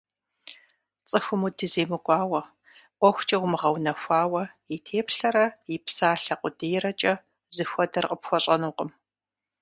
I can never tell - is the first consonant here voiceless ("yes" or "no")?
yes